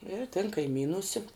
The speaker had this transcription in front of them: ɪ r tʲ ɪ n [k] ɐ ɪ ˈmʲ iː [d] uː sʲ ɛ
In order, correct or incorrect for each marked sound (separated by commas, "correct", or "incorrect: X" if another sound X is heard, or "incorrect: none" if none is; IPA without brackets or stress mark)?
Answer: correct, incorrect: n